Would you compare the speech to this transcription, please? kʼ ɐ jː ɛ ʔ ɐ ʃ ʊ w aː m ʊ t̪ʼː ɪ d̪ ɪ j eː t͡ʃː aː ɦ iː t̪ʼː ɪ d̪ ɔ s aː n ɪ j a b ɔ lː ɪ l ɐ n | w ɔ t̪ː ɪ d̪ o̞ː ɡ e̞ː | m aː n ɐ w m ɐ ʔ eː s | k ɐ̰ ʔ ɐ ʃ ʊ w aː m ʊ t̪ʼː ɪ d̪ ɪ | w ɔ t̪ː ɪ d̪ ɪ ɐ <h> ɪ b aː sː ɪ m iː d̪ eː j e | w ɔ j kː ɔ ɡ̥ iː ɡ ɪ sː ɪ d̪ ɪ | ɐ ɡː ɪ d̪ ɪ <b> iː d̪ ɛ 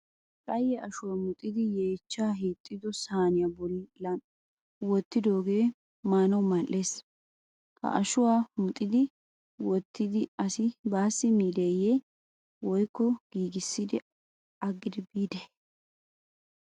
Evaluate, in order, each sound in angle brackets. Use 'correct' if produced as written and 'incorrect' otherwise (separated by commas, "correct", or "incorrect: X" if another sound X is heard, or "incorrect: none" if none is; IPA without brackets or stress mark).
incorrect: s, correct